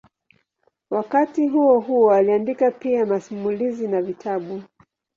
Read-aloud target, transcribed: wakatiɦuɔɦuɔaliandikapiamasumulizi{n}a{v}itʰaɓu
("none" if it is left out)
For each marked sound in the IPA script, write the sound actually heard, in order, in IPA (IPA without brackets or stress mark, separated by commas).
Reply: n, v